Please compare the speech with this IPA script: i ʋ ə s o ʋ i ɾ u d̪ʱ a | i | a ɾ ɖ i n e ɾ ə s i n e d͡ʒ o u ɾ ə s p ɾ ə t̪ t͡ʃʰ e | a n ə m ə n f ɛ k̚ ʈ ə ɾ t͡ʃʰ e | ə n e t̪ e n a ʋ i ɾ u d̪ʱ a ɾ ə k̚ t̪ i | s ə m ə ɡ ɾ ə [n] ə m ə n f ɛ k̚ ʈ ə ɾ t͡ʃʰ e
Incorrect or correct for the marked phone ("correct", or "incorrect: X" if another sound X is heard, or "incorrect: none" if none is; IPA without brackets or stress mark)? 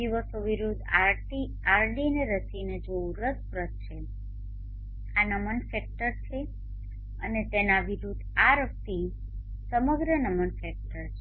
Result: correct